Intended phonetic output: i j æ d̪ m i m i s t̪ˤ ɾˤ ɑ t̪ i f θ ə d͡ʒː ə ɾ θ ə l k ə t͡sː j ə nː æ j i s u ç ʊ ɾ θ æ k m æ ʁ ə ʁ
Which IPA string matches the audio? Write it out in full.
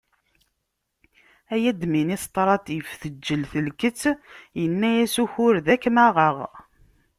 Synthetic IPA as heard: æ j æ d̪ m i n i s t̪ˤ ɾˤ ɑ t̪ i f θ ə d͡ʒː ə l θ ə l k ə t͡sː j ə nː æ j æ s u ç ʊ ɾ ð æ k m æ ʁ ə ʁ